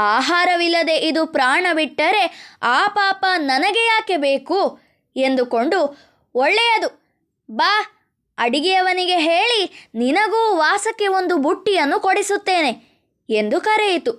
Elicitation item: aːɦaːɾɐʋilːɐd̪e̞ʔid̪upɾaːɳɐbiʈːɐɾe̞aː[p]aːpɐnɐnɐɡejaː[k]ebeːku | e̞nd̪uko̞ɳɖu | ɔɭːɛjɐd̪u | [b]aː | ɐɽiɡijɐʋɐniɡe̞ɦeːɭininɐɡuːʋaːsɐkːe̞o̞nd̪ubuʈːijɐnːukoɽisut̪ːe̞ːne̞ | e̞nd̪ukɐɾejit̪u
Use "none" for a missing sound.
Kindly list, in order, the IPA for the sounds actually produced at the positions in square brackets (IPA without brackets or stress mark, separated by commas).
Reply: p, k, b